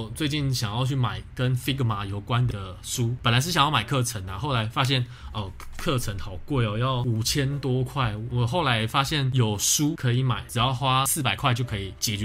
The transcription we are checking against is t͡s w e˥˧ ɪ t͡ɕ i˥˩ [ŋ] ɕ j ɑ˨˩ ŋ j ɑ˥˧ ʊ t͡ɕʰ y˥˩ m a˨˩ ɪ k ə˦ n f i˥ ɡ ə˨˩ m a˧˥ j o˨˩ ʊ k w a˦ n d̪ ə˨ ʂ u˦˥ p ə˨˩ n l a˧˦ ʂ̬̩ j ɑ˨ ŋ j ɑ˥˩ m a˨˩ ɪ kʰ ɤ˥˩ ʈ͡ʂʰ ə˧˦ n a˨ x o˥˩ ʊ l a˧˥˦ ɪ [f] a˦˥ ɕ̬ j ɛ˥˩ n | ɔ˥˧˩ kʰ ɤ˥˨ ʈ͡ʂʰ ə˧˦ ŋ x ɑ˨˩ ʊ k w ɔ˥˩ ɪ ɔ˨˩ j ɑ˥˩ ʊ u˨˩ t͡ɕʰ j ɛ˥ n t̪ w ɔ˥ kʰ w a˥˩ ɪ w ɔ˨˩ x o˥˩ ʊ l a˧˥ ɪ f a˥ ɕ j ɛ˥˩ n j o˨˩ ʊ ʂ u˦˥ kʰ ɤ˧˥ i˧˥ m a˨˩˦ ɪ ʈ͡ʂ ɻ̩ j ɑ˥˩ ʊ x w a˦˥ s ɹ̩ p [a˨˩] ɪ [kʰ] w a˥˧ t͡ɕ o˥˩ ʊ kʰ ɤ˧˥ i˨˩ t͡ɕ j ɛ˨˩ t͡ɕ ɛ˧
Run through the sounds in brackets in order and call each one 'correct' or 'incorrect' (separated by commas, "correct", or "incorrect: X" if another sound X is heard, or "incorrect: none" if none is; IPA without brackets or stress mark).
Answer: incorrect: n, correct, correct, correct